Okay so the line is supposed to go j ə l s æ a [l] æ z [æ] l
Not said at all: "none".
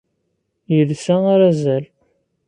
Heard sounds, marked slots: ɾ, æ

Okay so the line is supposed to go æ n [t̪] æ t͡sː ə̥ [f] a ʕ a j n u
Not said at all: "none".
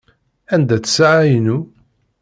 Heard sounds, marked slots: d̪, s

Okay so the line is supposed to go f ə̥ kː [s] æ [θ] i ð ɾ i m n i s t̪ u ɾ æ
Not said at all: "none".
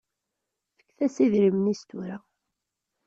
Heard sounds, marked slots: θ, s

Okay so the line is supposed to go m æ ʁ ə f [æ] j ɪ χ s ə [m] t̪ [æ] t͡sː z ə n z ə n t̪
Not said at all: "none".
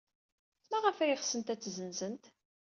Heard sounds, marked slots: æ, n, æ

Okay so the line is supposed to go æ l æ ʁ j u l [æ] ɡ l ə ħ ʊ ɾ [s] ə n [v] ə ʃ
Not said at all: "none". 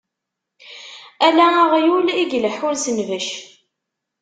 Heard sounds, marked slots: i, s, v

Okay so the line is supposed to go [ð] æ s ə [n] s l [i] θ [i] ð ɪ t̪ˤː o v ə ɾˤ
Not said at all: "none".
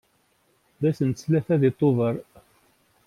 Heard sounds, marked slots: ð, n, æ, æ

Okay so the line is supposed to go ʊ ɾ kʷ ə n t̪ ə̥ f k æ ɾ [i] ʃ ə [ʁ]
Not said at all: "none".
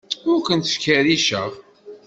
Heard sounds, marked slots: i, ʁ

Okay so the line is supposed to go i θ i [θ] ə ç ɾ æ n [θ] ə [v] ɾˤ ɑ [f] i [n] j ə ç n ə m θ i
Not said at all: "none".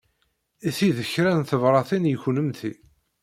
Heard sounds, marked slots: ð, θ, v, θ, n

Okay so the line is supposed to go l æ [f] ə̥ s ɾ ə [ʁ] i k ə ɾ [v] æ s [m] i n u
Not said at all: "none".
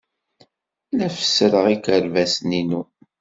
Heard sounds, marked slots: f, ʁ, v, n

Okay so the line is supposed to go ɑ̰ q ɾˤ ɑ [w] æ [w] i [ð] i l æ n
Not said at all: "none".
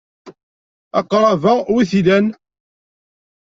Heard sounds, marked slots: v, w, θ

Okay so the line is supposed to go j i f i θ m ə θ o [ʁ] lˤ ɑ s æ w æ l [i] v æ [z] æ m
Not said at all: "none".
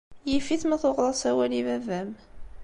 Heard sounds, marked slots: ʁ, i, v

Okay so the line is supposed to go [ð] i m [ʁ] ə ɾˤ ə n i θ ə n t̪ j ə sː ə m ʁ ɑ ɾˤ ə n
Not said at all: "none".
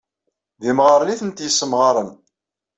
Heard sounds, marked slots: ð, ʁ

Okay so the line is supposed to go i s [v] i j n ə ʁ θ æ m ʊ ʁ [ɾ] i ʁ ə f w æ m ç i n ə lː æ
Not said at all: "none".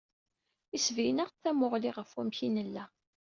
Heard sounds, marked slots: v, l

